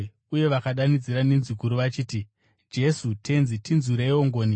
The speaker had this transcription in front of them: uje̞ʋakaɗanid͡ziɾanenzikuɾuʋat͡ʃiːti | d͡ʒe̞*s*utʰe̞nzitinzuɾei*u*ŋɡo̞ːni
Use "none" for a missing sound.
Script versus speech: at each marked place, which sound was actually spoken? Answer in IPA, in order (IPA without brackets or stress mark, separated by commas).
s, o